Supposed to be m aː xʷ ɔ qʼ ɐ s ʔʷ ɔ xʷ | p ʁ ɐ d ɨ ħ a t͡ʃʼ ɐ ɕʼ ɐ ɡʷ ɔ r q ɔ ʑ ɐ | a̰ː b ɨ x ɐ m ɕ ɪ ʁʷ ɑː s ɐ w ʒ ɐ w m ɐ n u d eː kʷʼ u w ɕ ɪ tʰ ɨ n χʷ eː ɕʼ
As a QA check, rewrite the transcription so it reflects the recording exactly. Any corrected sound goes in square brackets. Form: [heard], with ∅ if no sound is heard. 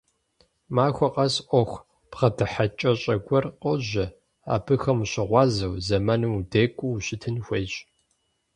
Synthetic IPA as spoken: m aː xʷ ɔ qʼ ɐ s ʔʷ ɔ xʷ | p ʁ ɐ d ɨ ħ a t͡ʃʼ ɐ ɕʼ ɐ ɡʷ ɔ r q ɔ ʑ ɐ | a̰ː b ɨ x ɐ m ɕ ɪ ʁʷ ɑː [z] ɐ w [z] ɐ [∅] m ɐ n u d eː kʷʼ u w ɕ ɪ tʰ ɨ n [xʷ] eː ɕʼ